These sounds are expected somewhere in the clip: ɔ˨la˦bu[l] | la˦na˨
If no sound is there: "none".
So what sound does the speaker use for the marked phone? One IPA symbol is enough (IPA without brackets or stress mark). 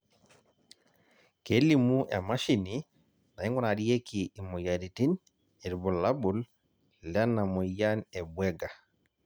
l